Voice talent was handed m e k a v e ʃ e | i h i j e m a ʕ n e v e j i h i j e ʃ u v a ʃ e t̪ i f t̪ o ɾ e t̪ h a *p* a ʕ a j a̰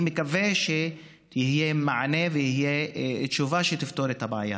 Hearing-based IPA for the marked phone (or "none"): b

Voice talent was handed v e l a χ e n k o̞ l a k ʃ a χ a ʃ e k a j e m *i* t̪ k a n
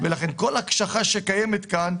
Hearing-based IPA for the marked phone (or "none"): e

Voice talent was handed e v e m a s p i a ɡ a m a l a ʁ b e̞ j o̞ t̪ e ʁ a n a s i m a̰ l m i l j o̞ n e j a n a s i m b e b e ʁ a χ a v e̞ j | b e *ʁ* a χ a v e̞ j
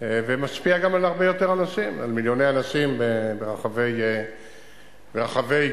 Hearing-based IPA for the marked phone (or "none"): ʁ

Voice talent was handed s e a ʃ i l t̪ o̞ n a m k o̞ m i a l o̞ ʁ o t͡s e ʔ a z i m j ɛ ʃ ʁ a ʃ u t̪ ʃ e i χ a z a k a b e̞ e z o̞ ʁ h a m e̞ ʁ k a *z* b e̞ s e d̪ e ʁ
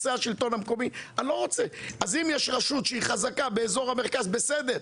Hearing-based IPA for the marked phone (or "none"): z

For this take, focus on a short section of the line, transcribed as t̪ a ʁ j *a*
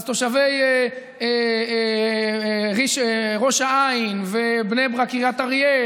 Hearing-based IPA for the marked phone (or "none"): e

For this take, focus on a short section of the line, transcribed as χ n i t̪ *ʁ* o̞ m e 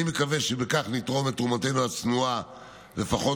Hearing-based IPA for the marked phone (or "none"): ʁ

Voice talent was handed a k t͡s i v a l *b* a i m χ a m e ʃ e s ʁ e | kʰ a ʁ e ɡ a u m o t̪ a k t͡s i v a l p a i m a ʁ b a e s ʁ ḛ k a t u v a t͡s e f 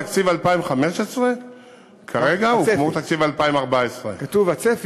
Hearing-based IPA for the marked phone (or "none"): p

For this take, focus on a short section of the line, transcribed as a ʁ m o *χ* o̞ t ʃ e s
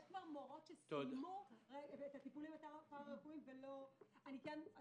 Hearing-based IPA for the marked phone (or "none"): ʁ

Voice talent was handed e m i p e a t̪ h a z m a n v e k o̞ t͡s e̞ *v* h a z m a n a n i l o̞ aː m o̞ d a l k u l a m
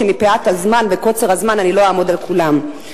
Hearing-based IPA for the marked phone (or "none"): ʁ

